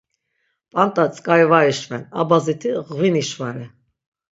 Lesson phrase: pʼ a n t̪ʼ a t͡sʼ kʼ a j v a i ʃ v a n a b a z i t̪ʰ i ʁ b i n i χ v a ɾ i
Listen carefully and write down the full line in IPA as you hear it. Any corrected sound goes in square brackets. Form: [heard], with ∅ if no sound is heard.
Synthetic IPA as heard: pʼ a n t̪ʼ a t͡sʼ kʼ a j v a i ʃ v [ɛ] n a b a z i t̪ʰ i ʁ [v] i n i [ʃ] v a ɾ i